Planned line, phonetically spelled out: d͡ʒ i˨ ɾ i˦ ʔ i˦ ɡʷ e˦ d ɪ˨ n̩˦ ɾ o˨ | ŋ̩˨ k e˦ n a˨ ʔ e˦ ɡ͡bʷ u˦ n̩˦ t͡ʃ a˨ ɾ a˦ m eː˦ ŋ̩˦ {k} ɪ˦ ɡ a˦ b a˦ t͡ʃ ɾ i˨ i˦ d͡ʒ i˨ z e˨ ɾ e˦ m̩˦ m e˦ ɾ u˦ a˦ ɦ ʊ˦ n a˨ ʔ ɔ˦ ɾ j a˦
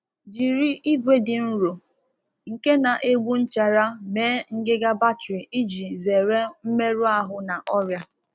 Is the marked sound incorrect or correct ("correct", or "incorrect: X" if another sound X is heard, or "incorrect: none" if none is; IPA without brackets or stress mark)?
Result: incorrect: ɡ